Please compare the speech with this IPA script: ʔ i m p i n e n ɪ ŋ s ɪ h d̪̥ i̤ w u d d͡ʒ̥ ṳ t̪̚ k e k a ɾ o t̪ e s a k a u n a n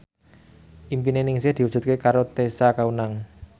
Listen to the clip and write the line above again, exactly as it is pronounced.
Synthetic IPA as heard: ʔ i m p i n e n ɪ ŋ s ɪ h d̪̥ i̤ w u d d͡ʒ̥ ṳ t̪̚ k e k a ɾ o t̪ e s a k a u n a ŋ